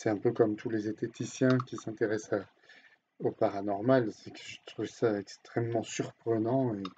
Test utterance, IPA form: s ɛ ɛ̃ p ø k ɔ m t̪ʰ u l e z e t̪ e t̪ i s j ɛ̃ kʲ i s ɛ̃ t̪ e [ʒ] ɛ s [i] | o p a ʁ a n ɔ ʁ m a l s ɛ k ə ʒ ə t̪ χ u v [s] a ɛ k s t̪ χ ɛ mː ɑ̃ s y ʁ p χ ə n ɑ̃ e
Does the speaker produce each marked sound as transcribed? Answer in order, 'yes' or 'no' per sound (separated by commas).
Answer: no, no, yes